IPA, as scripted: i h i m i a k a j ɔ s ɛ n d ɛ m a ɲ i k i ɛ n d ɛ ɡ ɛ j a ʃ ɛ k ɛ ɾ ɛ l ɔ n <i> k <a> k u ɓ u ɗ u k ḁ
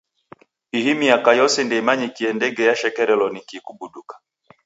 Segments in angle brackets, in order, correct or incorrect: correct, incorrect

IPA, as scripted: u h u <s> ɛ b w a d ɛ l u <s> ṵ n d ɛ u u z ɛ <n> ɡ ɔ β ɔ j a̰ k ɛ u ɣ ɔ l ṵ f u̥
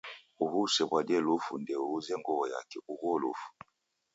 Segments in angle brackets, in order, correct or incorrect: correct, incorrect, incorrect

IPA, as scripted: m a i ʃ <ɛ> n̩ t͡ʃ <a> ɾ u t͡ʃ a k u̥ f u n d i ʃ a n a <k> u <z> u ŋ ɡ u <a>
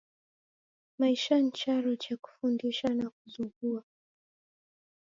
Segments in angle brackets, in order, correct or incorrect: incorrect, correct, correct, correct, correct

